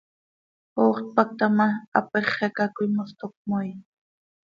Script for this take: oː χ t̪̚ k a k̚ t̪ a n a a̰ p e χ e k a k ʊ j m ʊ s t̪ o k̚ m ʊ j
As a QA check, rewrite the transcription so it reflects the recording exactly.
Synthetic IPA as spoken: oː χ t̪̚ p a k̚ t̪ a m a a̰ p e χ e k a k ʊ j m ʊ s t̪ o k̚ m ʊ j

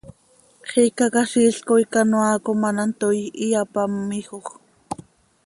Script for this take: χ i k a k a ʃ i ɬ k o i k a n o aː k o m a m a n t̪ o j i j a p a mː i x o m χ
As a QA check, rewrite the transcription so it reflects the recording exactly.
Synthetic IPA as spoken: χ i k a k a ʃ i ɬ k o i k a n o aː k o m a n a n t̪ o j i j a p a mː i x o χ

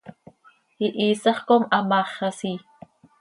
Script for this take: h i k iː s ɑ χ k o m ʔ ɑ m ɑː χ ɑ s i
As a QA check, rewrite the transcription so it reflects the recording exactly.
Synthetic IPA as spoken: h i ʔ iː s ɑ χ k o m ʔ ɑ m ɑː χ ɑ s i

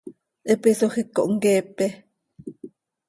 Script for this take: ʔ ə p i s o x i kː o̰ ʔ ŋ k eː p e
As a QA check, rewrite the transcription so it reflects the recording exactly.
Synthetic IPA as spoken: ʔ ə p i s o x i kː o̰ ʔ ŋ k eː p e

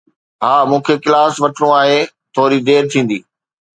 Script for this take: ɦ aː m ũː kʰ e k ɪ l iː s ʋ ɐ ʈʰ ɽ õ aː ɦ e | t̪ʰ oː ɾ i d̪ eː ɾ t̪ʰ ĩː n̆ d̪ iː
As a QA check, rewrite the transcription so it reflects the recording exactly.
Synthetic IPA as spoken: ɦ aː m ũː kʰ e k ɪ l aː s ʋ ɐ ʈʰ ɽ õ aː ɦ e | t̪ʰ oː ɾ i d̪ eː ɾ t̪ʰ ĩː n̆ d̪ iː

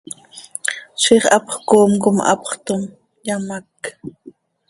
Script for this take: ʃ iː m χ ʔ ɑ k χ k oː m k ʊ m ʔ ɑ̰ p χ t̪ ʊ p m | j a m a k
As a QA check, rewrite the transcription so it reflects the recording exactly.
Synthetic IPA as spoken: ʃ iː χ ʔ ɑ p χ k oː m k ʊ m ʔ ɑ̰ p χ t̪ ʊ m | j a m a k

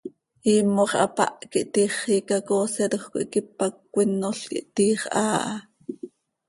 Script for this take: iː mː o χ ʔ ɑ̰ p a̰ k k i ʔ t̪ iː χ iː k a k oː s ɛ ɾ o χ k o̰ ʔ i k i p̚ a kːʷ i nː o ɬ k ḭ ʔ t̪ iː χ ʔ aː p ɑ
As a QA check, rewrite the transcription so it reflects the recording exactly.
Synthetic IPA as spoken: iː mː o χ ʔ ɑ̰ p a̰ ʔ k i ʔ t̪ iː χ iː k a k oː s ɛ ɾ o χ k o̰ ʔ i k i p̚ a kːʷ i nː o ɬ k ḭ ʔ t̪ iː χ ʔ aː ʔ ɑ

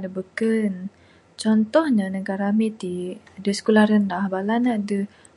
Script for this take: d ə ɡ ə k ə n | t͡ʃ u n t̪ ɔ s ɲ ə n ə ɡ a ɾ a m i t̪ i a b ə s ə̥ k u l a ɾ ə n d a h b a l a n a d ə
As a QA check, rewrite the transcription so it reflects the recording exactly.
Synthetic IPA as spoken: d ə b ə k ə n | t͡ʃ ɔ n t̪ ɔ h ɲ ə n ə ɡ a ɾ a m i t̪ i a d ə s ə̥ k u l a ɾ ə n d a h b a l a n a d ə

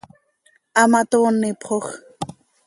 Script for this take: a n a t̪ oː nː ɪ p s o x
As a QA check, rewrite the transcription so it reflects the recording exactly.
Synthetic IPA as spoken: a m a t̪ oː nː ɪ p χ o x

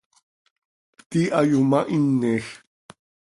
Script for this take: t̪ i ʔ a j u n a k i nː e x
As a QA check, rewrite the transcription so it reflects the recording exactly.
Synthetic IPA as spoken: t̪ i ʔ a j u m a ʔ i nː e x

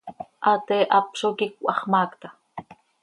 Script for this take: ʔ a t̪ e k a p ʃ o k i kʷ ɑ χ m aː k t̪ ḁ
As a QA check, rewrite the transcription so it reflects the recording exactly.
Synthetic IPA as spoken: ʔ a t̪ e ʔ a p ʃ o k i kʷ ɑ χ m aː k t̪ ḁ

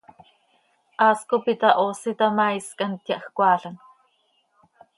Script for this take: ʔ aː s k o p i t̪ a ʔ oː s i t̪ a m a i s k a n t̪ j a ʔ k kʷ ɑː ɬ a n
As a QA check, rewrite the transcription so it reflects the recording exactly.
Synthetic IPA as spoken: ʔ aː s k o p i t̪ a ʔ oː s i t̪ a m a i s k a n t̪ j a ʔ x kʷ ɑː ɬ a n

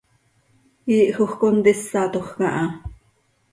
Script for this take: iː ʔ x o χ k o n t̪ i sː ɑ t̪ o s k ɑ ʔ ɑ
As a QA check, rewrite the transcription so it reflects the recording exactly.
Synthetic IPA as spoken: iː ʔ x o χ k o n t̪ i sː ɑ t̪ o χ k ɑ ʔ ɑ

